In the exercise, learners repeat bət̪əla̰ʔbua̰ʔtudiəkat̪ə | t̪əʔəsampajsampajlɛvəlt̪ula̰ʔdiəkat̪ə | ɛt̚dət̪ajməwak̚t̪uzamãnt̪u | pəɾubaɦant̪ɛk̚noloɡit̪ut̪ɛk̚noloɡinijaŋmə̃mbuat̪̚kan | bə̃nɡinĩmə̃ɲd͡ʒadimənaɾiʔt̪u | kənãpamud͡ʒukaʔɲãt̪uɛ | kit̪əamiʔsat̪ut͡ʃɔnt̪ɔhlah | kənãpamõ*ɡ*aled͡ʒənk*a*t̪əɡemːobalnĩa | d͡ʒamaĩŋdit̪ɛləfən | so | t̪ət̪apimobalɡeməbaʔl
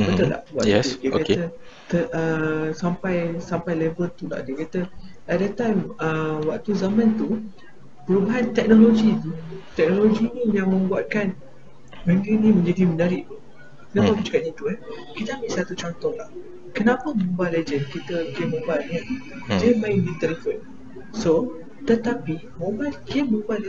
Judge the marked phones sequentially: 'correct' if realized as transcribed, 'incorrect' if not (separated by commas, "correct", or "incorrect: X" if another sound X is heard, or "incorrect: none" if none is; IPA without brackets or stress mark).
incorrect: b, incorrect: i